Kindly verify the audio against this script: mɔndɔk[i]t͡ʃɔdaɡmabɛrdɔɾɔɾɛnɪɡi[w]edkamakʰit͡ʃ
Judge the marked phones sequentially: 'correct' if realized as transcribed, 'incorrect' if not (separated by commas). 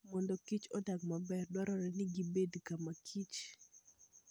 correct, incorrect